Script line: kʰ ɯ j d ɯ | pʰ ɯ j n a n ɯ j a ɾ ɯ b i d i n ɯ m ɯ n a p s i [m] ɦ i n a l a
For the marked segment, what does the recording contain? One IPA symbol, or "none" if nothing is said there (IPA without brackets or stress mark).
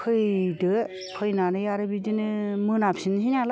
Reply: n